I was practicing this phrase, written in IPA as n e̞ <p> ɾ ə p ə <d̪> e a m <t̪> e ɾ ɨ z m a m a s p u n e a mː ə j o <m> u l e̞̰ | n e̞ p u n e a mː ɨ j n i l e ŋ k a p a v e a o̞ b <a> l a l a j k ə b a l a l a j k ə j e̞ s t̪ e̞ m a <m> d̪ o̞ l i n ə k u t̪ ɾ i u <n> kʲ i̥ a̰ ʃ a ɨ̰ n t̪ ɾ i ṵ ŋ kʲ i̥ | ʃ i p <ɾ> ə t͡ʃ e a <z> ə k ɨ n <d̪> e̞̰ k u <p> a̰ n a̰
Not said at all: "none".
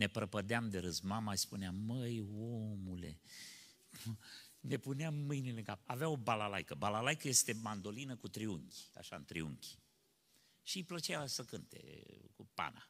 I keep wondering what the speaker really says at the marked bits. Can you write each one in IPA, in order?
p, d̪, d̪, m, a, n, ŋ, l, s, t̪, p

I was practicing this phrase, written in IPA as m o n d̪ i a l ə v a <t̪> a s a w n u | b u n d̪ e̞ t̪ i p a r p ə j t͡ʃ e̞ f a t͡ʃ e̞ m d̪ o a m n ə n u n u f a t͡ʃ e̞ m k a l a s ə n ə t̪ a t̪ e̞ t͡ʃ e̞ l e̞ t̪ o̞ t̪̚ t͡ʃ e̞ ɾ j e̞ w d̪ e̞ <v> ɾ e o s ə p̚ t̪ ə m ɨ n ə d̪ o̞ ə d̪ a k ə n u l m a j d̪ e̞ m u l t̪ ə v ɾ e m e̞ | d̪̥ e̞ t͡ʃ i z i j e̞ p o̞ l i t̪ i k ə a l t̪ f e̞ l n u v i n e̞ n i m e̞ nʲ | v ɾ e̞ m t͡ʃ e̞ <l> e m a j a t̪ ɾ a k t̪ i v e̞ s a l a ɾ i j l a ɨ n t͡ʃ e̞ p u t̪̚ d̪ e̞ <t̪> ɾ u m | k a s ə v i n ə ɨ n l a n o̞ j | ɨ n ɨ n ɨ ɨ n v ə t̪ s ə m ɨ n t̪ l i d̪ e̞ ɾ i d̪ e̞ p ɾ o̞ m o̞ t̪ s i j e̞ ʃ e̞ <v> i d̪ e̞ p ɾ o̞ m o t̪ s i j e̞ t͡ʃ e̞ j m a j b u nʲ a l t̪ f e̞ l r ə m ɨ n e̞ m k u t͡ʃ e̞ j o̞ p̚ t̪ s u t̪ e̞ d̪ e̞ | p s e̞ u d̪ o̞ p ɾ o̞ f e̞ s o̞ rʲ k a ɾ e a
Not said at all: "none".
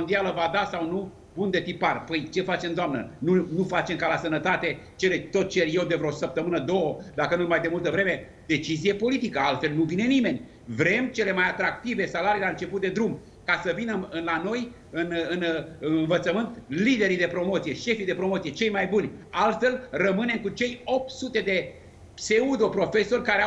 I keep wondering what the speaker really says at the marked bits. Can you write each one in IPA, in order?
d̪, v, l, d̪, f

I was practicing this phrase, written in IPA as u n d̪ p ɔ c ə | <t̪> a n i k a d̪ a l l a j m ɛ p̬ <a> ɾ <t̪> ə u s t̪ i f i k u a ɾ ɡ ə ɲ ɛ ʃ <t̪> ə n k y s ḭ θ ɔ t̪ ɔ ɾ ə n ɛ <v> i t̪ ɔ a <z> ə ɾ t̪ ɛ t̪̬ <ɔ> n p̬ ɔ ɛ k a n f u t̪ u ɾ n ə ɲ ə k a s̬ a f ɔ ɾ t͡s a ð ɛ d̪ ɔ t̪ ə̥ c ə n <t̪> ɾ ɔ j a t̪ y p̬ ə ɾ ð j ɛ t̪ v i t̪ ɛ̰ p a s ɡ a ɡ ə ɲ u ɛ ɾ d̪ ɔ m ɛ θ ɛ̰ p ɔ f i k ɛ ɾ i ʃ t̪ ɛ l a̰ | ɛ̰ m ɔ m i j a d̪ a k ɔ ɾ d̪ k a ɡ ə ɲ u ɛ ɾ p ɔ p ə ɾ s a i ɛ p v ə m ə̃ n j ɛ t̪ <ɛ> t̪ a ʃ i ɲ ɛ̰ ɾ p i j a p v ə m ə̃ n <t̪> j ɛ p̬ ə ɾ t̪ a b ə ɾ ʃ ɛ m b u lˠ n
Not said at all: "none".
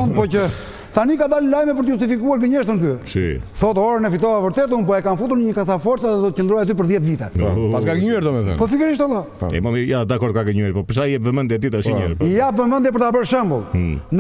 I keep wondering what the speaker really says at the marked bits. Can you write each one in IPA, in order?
t̪, ə, t̪, t̪, f, v, u, d̪, i, d̪

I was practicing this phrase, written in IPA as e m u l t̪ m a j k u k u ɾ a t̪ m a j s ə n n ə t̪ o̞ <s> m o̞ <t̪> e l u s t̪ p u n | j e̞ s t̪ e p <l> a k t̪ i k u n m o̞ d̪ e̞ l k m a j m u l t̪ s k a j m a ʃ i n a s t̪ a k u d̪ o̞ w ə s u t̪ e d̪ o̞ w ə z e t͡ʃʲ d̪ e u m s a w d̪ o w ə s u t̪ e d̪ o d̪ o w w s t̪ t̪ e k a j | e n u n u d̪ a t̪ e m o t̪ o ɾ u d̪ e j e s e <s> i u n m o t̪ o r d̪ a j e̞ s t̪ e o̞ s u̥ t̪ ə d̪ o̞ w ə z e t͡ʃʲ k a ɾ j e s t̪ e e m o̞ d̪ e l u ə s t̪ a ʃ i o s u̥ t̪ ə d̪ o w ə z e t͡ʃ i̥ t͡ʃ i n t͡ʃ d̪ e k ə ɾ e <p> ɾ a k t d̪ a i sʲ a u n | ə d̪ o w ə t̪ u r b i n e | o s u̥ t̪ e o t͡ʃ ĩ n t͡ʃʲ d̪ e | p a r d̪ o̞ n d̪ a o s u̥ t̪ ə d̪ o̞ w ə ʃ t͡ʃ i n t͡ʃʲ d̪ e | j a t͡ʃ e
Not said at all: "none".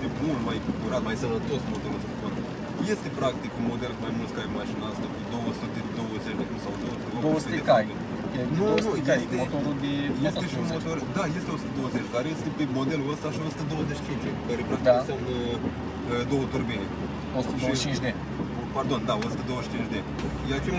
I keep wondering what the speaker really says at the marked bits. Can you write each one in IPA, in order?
s, d̪, ɾ, ʃ, p

